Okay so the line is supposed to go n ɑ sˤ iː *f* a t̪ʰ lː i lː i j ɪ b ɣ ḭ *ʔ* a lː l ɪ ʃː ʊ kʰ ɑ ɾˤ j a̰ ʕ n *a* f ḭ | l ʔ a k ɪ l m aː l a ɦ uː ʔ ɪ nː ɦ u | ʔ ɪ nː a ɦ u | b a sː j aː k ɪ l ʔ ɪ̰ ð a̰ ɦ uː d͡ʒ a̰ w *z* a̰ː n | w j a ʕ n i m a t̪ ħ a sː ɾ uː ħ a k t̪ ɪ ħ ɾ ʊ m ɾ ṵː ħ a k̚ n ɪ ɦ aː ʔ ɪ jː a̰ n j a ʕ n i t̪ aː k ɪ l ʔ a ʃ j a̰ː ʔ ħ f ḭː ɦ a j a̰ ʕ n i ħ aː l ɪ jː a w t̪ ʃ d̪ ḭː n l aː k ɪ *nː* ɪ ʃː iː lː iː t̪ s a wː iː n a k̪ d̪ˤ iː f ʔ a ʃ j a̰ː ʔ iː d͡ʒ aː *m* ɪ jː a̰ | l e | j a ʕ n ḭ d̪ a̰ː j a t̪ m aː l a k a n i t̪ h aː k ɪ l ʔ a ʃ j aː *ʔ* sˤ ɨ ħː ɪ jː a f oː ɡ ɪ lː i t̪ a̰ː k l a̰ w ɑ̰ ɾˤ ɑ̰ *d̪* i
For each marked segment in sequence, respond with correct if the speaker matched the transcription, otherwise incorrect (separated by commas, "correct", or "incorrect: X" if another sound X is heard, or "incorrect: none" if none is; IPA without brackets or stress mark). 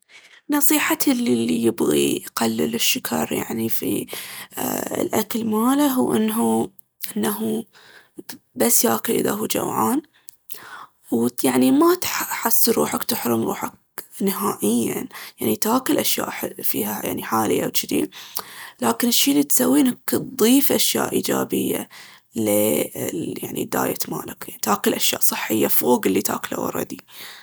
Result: incorrect: ħ, incorrect: q, incorrect: i, incorrect: ʕ, incorrect: n, incorrect: b, correct, correct